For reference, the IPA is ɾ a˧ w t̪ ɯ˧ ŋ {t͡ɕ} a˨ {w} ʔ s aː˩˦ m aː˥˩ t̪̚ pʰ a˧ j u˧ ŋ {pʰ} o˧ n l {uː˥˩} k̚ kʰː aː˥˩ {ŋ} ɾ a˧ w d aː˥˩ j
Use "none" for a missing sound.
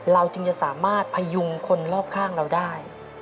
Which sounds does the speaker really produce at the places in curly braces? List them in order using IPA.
t͡ɕ, none, kʰ, ɔː˥˩, ŋ

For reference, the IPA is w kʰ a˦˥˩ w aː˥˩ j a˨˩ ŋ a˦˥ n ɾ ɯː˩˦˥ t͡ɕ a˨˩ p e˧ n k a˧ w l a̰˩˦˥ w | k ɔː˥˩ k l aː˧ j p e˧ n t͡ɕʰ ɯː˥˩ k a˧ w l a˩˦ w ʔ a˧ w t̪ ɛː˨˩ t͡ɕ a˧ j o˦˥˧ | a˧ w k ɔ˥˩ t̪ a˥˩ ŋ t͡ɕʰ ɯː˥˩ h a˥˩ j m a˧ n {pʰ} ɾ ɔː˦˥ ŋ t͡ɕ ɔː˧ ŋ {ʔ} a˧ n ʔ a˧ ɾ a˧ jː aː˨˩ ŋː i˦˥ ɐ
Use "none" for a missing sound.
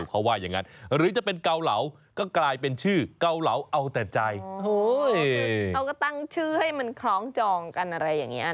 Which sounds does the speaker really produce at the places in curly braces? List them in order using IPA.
kʰ, k

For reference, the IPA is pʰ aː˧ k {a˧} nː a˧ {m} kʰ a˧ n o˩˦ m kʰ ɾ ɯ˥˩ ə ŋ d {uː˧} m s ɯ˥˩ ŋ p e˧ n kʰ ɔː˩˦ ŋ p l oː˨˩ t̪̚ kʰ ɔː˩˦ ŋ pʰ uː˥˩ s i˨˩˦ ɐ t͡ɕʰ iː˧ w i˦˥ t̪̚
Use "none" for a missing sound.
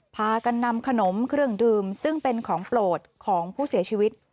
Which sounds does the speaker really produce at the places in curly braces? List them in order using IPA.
a˧, m, ɯː˧

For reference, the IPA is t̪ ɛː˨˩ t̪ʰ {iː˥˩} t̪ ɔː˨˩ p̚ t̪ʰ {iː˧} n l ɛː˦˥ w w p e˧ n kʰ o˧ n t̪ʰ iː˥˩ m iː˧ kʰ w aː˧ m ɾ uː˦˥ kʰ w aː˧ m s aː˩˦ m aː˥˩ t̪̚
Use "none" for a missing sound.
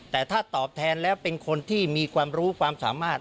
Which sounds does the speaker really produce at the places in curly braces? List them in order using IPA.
aː˥˩, ɛː˧

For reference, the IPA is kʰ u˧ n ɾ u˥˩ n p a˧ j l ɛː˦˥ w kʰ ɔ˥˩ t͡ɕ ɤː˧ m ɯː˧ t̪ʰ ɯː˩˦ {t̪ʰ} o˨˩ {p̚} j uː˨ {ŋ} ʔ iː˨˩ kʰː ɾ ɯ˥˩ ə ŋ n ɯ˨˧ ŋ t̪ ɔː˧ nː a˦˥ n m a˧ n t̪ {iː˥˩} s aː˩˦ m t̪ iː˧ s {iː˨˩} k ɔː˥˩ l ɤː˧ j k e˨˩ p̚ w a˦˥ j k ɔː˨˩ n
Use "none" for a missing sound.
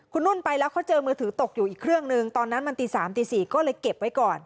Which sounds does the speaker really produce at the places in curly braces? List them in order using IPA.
t̪, k̚, none, iː˧˩, iː˨˩

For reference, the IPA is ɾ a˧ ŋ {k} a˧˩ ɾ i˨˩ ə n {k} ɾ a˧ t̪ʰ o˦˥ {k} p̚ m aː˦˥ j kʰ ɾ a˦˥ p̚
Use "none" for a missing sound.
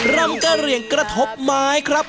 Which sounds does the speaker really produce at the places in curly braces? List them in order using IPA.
k, k, none

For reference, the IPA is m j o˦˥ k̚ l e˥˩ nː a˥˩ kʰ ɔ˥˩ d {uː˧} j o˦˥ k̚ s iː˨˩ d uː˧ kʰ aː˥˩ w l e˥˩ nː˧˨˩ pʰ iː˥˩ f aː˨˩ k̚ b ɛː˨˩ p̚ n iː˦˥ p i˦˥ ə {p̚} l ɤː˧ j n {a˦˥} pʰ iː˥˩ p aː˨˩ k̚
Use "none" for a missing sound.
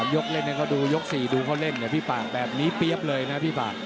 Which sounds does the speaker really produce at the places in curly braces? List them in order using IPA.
uː˧, p̚, a˦˥

